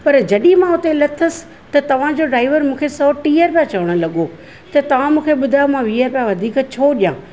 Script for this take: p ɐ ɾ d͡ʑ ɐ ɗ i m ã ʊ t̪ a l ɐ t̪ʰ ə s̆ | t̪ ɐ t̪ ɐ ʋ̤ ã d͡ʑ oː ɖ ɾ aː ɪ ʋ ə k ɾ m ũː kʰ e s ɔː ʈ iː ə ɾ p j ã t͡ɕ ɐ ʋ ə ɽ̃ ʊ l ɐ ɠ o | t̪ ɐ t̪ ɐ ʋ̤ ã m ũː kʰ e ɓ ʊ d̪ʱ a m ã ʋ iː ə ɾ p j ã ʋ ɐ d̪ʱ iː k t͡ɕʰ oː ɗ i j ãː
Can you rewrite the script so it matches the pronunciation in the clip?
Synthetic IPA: p ɐ ɾ d͡ʑ ɐ ɗ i m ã ʊ t̪ e l ɐ t̪ʰ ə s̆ | t̪ ɐ t̪ ɐ ʋ̤ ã d͡ʑ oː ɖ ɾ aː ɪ ʋ ə ɾ m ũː kʰ e s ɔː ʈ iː ə ɾ p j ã t͡ɕ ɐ ʋ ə ɽ̃ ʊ l ɐ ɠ o | t̪ ɐ t̪ ɐ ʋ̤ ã m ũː kʰ e ɓ ʊ d̪ʱ a m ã ʋ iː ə ɾ p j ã ʋ ɐ d̪ʱ iː k t͡ɕʰ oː ɗ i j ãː